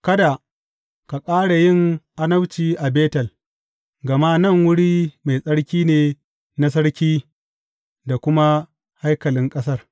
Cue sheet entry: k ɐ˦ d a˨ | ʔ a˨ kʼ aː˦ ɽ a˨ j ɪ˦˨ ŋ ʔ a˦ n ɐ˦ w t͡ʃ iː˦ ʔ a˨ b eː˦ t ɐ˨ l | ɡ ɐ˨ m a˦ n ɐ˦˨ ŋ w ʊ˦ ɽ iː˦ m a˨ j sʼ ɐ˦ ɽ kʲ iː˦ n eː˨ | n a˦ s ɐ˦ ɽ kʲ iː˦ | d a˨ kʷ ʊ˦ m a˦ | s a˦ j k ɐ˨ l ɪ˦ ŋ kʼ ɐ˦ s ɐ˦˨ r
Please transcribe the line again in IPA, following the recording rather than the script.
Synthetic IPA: k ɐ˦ d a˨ | k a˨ kʼ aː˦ ɽ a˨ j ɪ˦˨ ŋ ʔ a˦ n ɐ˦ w t͡ʃ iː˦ ʔ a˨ b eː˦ t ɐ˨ l | ɡ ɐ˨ m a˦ n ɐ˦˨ ŋ w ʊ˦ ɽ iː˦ m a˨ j sʼ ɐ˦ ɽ kʲ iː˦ n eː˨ | n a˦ s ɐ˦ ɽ kʲ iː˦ | d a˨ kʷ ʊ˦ m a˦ | h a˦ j k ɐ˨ l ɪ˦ ŋ kʼ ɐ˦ s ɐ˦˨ r